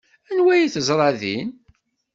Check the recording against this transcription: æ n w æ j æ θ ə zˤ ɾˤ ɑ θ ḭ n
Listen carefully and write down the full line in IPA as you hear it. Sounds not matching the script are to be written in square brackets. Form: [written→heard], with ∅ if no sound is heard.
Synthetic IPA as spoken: æ n w æ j [æ→i] θ ə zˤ ɾˤ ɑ [θ→ð] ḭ n